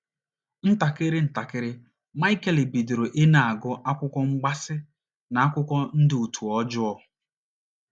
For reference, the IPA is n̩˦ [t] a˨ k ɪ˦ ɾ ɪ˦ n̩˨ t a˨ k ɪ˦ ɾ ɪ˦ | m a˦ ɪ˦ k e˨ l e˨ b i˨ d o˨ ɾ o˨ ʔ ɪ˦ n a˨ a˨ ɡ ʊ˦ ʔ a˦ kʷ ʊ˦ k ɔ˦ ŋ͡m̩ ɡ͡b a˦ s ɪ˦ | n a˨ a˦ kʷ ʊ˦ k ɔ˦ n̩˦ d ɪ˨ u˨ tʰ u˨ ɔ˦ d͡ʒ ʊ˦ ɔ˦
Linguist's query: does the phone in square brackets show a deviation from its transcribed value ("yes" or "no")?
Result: no